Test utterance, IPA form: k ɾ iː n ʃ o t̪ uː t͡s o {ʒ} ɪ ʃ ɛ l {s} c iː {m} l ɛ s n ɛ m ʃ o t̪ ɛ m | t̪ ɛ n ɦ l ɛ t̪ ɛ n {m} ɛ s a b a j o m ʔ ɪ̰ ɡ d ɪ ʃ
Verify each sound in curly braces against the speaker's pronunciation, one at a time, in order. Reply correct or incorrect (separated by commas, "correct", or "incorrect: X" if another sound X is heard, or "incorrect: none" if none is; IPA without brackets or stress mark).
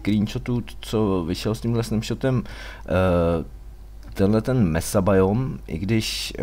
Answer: incorrect: v, correct, correct, correct